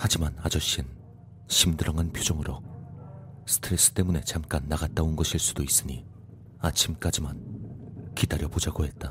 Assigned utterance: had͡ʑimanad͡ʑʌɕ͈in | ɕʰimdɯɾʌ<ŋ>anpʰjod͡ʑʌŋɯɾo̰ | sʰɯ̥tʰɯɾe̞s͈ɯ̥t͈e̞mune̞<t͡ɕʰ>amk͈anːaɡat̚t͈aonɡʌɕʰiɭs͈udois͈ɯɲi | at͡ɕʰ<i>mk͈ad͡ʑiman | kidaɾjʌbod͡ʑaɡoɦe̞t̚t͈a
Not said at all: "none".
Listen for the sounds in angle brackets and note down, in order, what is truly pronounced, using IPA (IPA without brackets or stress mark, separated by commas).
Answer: ŋ, t͡ɕ, i